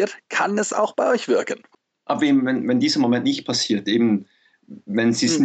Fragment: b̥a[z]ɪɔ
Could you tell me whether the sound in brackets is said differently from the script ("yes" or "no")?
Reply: yes